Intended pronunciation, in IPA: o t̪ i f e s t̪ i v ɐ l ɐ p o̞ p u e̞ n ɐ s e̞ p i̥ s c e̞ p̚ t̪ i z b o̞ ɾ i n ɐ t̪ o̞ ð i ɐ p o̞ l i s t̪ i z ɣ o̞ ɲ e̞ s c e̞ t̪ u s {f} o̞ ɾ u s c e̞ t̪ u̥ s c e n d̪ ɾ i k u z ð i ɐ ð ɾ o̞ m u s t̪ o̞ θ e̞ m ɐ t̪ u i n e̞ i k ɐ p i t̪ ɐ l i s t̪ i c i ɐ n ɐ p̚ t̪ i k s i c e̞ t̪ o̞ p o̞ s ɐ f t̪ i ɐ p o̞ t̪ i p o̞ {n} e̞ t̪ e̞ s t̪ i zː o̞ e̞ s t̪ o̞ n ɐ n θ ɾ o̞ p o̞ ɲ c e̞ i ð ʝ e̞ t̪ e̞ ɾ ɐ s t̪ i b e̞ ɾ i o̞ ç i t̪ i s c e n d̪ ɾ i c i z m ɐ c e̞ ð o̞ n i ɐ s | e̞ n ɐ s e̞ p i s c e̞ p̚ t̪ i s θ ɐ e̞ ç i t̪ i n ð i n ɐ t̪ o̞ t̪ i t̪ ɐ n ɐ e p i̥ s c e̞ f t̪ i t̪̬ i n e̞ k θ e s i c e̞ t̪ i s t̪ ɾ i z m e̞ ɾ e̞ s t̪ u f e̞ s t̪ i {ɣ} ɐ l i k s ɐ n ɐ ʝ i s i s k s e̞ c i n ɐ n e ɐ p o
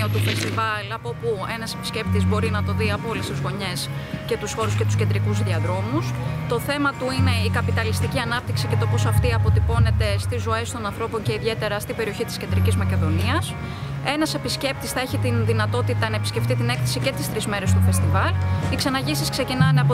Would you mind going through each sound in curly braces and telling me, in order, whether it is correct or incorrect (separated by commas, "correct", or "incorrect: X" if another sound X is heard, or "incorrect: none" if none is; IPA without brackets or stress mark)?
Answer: incorrect: x, correct, incorrect: v